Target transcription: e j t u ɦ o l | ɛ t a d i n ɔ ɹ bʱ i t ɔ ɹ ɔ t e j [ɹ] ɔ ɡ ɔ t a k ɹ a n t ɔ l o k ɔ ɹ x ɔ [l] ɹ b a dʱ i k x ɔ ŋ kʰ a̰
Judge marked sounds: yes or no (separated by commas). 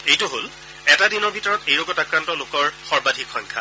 yes, no